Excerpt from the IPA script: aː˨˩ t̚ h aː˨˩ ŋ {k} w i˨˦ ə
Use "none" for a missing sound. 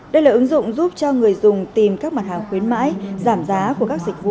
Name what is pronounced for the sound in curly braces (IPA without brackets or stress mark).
x